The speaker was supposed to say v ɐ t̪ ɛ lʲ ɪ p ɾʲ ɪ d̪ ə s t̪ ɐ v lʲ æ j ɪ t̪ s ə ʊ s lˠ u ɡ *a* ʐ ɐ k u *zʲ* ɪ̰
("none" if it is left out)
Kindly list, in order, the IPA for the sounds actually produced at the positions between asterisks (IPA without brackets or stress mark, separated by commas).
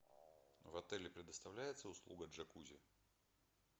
ə, zʲ